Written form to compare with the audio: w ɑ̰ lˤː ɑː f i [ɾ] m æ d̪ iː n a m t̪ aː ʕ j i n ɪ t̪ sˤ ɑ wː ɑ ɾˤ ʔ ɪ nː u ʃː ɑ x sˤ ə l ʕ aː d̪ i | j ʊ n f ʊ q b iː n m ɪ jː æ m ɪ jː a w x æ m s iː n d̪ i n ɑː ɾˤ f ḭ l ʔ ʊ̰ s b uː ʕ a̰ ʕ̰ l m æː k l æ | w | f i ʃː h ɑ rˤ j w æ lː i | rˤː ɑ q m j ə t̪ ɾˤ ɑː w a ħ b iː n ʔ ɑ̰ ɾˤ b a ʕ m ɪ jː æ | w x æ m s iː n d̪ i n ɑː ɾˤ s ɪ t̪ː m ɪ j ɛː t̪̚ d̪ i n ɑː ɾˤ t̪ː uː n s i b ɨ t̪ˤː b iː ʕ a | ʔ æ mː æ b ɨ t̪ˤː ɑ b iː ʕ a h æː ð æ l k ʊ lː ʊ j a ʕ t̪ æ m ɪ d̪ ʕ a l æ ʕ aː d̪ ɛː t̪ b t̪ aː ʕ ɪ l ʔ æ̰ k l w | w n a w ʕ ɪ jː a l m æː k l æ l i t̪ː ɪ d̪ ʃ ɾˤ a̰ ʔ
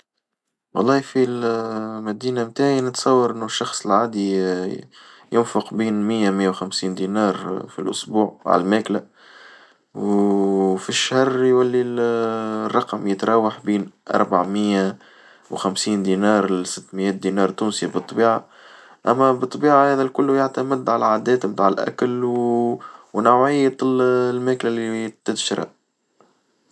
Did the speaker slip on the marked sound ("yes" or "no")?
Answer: yes